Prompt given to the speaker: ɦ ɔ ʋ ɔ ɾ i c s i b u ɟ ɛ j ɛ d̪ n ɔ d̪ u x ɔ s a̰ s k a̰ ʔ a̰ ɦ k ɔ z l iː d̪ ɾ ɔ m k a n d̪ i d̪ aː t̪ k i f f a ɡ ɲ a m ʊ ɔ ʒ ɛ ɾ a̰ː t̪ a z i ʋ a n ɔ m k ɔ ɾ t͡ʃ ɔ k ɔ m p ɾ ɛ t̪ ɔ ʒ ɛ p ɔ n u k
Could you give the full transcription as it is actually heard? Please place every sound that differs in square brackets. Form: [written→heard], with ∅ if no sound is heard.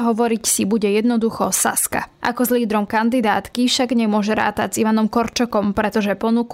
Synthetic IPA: ɦ ɔ ʋ ɔ ɾ i c s i b u ɟ ɛ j ɛ d̪ n ɔ d̪ u x ɔ s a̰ s k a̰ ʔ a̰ [ɦ→∅] k ɔ z l iː d̪ ɾ ɔ m k a n d̪ i d̪ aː t̪ k i f [f→ʃ] a ɡ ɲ [a→ɛ] m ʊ ɔ ʒ ɛ ɾ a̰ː t̪ a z i ʋ a n ɔ m k ɔ ɾ t͡ʃ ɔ k ɔ m p ɾ ɛ t̪ ɔ ʒ ɛ p ɔ n u k